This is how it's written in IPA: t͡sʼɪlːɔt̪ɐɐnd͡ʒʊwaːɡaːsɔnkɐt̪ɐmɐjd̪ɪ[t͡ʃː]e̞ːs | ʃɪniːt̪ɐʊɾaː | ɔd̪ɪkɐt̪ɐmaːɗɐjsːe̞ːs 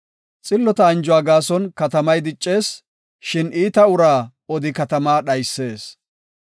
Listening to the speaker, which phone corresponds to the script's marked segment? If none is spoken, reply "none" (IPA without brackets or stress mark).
t͡ʃʼː